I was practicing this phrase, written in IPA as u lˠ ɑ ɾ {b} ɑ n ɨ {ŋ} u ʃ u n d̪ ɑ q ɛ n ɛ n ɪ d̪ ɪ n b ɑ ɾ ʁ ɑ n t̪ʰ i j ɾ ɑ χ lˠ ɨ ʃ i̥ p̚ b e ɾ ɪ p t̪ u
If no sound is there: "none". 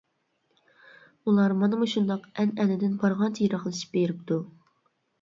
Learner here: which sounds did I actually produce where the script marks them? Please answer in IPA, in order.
m, m

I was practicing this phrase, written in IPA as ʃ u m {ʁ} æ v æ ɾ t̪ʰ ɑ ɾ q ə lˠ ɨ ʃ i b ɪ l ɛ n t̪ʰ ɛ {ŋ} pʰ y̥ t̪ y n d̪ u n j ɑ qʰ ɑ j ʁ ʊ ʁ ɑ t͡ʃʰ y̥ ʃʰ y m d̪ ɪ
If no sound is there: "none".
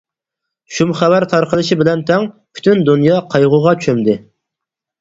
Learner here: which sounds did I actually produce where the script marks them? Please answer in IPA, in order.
χ, ŋ

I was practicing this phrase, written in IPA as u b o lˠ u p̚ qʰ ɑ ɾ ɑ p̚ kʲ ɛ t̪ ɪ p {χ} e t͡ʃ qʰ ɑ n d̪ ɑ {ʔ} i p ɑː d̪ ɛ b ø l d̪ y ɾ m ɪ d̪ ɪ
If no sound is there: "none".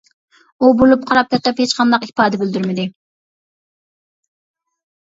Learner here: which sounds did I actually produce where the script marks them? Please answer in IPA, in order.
h, q

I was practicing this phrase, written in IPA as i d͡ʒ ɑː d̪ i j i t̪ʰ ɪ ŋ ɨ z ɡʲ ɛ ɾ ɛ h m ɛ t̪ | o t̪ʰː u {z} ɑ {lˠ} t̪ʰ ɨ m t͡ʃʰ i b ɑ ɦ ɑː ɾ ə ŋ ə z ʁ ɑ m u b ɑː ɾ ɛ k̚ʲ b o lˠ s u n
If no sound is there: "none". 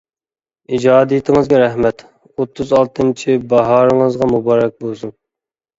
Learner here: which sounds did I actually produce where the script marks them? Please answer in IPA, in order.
z, lˠ

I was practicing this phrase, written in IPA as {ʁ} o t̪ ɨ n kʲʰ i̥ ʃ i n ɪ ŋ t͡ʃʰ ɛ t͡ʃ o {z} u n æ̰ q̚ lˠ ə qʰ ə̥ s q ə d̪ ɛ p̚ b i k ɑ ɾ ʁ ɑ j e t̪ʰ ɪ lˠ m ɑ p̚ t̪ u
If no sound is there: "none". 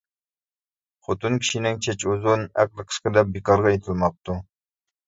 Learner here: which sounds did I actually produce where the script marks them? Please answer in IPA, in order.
χ, z

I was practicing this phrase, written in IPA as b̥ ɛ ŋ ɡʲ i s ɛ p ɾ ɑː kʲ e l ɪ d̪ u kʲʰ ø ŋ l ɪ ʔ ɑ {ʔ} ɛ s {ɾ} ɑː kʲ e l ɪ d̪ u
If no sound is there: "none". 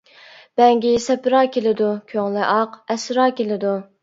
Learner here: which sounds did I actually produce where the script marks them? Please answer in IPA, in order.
q, ɾ

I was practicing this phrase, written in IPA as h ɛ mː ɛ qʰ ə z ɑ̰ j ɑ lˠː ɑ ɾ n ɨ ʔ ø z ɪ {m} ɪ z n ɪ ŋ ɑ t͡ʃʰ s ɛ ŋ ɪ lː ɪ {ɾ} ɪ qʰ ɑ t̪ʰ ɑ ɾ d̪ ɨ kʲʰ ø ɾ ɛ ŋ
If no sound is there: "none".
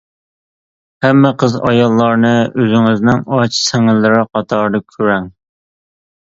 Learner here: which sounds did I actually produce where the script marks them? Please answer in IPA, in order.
ŋ, ɾ

